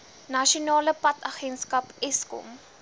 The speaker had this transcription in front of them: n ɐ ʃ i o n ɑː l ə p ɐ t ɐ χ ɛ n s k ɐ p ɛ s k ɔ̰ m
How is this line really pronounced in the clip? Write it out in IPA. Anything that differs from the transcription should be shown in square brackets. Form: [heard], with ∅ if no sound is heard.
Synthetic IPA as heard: n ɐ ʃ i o n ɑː l ə p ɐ t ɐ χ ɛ n s k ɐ p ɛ s k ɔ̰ m

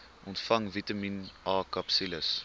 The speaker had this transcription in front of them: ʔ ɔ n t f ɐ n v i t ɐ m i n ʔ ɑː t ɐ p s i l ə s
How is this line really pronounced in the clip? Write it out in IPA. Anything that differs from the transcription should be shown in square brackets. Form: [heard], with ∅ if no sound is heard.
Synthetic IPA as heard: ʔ ɔ n t f ɐ [ŋ] v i t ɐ m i n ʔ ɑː [k] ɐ p s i l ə s

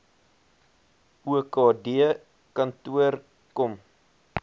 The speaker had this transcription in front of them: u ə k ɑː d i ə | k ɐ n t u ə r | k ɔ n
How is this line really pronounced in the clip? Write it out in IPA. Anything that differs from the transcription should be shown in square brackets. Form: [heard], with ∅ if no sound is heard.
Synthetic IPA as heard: u ə k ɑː d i ə | k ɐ n t u ə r | k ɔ [m]

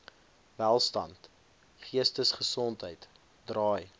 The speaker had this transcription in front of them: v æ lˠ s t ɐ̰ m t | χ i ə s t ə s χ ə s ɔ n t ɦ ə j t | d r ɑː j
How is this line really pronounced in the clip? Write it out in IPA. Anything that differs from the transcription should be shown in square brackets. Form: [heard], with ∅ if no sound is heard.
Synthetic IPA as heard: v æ lˠ s t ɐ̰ [n] t | χ i ə s t ə s χ ə s ɔ n t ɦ ə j t | d r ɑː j

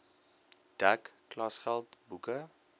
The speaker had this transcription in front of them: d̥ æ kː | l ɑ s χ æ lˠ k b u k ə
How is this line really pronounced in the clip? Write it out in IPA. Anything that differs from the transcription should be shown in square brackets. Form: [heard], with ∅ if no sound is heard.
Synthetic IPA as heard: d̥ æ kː | l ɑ s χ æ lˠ [t] b u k ə

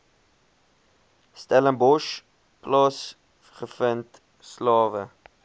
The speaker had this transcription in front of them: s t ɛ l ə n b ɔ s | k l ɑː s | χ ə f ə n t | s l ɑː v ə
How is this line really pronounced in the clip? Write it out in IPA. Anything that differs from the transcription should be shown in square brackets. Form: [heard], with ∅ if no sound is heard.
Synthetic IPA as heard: s t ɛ l ə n b ɔ [ʃ] | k l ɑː s | χ ə f ə n t | s l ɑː v ə

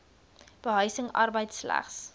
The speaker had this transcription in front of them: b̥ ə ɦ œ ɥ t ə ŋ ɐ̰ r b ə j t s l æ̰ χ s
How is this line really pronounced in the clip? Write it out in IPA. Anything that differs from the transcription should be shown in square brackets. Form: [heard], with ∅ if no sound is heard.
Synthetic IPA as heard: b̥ ə ɦ œ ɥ [s] ə ŋ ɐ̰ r b ə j t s l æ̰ χ s

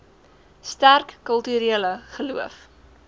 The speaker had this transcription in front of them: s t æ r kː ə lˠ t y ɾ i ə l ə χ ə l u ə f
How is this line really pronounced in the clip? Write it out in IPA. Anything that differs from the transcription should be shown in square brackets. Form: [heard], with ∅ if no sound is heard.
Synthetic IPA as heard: s t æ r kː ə lˠ t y ɾ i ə l ə χ ə l u ə f

